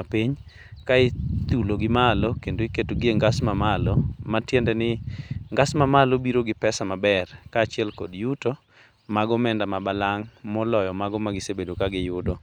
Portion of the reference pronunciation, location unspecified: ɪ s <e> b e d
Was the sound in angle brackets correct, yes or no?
yes